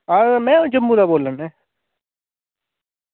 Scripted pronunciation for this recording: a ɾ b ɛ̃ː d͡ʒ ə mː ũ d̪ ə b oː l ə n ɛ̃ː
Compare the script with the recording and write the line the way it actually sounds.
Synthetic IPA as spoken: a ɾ m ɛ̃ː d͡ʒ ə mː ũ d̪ a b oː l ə n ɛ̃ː